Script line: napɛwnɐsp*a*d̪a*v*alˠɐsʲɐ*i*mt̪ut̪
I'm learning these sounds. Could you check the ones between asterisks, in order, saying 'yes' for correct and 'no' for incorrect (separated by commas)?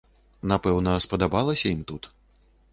no, no, yes